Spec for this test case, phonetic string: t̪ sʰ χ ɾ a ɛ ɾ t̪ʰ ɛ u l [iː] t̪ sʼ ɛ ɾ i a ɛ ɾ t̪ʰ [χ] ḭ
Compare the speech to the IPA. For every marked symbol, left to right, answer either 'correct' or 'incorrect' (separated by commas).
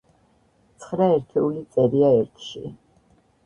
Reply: incorrect, incorrect